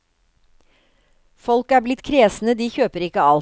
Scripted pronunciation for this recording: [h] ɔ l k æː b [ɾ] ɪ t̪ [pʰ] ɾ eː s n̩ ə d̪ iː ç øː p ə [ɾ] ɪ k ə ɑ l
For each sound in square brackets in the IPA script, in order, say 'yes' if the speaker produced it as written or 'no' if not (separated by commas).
no, no, no, yes